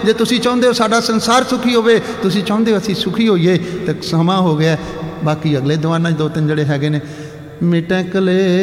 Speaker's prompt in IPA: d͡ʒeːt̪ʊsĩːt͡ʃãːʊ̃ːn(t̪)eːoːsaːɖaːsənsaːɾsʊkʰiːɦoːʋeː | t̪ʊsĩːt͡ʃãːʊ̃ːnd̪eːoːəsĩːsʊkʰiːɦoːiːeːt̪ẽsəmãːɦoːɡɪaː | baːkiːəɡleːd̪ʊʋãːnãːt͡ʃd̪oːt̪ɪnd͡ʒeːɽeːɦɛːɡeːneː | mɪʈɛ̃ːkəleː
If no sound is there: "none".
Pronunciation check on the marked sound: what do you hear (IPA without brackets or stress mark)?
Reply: d̪